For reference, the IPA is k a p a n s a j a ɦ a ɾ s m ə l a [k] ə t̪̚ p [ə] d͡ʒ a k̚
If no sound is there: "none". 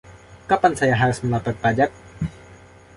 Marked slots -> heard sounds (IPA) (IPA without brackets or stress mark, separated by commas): p, a